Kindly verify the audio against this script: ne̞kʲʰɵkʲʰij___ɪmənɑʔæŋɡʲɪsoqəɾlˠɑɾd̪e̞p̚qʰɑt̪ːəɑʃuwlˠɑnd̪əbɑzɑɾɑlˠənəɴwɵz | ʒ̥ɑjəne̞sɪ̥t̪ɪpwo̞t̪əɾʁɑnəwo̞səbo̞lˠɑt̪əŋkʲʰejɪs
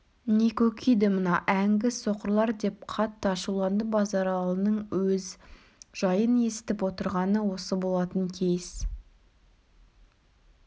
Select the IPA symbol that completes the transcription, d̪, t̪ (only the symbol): d̪